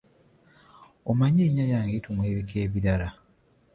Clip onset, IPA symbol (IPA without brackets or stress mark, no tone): o